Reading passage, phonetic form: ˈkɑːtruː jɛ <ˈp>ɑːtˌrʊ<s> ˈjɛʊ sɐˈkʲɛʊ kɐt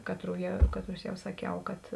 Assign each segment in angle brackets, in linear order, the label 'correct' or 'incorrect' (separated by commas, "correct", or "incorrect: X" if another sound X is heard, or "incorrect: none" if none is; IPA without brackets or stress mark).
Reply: incorrect: k, correct